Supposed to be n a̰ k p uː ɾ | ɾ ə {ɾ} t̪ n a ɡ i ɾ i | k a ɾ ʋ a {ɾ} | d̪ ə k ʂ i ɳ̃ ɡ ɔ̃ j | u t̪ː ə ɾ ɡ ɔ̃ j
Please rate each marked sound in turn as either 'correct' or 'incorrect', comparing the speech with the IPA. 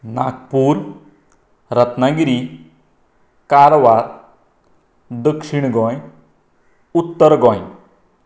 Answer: incorrect: none, correct

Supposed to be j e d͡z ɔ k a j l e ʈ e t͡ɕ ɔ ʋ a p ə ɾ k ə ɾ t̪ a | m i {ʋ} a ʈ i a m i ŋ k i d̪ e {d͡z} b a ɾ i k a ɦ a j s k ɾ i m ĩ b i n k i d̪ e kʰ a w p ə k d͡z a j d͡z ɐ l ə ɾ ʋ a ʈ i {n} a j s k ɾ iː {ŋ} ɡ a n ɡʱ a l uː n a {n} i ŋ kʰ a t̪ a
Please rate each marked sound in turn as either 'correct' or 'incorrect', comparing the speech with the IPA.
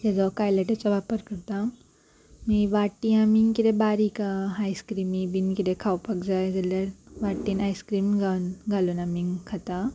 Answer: correct, incorrect: none, correct, incorrect: m, incorrect: m

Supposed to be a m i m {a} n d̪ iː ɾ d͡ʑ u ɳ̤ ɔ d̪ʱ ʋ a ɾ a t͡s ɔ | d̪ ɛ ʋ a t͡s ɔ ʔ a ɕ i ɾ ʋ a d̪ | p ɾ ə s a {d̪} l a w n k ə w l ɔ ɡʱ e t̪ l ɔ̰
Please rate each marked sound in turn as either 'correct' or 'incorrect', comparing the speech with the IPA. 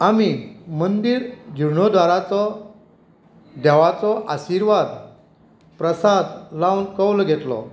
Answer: incorrect: ə, correct

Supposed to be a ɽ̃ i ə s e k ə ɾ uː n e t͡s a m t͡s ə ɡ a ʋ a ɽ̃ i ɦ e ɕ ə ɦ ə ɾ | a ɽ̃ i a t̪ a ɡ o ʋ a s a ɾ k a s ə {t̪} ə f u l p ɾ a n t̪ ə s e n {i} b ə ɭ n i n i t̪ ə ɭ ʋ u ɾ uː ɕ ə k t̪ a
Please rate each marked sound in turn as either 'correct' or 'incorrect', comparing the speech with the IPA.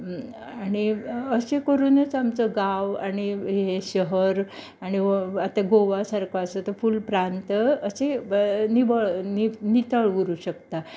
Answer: correct, correct

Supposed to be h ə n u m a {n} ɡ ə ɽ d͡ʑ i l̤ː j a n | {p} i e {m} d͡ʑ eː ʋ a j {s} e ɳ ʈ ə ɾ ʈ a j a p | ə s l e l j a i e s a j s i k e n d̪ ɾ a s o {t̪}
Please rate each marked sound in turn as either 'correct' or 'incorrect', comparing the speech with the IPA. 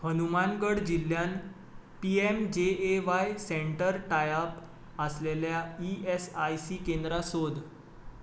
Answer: correct, correct, correct, correct, incorrect: d̪

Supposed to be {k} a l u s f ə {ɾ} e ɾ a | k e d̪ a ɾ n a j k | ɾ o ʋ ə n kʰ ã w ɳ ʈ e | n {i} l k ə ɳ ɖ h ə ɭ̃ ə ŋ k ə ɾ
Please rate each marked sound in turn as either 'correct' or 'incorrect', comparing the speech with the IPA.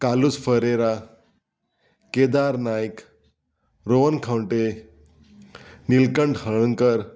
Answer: correct, correct, correct

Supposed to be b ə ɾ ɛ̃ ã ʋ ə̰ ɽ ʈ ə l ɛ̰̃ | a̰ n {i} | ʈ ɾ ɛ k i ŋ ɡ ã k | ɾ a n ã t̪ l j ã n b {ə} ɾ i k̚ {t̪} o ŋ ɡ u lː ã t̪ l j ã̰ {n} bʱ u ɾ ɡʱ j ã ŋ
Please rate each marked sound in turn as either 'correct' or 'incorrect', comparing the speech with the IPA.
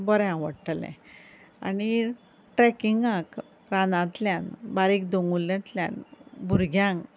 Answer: correct, incorrect: a, incorrect: d̪, correct

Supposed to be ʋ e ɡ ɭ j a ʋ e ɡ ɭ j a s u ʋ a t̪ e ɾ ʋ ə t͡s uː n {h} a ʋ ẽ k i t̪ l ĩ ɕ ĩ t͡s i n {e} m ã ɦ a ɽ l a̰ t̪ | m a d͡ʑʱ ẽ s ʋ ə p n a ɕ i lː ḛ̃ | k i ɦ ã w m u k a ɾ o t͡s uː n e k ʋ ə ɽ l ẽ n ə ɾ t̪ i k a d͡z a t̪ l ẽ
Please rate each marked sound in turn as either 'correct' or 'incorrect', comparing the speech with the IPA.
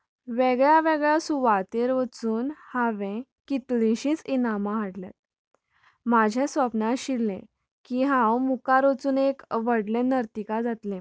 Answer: correct, incorrect: a

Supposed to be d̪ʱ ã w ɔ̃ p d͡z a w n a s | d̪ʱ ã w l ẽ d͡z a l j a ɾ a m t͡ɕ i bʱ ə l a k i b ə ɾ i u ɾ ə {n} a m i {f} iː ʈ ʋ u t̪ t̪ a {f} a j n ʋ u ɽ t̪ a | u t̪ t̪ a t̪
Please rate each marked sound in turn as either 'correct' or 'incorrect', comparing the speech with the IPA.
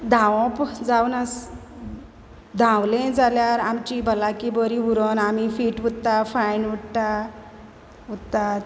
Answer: correct, correct, correct

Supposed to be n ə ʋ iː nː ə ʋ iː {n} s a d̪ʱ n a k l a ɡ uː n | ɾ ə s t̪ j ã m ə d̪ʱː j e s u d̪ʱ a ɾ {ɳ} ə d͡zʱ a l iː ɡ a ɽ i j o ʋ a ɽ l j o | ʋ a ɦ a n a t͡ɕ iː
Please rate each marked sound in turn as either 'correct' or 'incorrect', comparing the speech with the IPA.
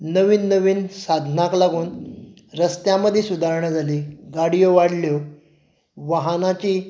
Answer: correct, correct

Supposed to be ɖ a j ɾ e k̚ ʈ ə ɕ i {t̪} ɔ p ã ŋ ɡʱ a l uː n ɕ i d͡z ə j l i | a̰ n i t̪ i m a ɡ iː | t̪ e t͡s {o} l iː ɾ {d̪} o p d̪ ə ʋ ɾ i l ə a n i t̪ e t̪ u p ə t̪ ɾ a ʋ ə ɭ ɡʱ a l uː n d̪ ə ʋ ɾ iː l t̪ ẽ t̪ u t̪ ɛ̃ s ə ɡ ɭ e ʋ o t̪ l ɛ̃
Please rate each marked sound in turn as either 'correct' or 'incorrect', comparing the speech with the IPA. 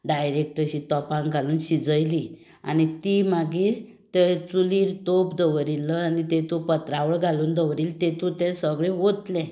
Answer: correct, incorrect: u, incorrect: t̪

